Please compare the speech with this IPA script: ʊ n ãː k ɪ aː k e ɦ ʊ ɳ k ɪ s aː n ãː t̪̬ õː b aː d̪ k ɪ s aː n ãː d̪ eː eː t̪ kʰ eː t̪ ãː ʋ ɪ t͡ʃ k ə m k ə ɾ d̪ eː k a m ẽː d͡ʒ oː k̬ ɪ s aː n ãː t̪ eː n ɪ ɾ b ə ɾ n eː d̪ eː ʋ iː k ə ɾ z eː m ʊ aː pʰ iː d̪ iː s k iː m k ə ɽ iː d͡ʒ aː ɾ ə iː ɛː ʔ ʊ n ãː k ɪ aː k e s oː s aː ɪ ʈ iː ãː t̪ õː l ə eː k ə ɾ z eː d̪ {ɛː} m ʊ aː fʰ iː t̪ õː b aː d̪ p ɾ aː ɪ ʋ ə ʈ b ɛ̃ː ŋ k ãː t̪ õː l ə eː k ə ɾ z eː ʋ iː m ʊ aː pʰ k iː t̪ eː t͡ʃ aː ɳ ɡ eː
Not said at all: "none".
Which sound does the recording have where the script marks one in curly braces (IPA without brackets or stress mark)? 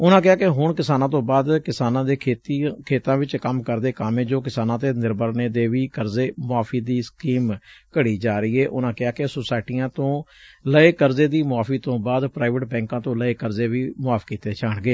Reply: iː